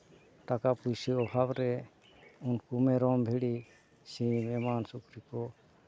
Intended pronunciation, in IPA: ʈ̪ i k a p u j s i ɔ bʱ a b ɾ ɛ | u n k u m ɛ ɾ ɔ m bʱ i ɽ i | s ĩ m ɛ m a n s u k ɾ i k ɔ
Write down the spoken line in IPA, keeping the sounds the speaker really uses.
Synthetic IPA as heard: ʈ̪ a k a p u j s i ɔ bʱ a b ɾ ɛ | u n k u m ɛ ɾ ɔ m bʱ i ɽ i | s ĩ m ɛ m a n s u k ɾ i k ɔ